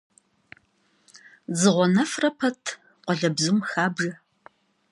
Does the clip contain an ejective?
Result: no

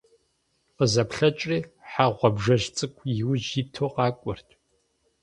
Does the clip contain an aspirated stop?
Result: yes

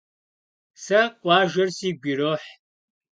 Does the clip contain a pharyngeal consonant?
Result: yes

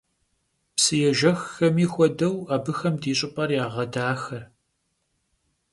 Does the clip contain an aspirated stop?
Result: no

